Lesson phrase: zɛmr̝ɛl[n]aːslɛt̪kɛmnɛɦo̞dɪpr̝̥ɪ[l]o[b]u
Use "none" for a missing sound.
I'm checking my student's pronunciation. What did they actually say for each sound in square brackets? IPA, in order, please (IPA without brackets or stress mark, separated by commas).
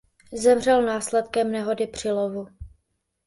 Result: n, l, v